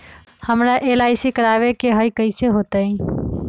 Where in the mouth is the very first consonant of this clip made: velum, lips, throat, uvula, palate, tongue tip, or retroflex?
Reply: throat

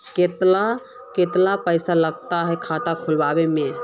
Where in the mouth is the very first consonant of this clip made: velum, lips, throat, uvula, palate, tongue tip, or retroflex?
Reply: velum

